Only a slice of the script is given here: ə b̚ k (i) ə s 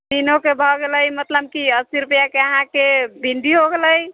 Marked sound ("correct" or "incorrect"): correct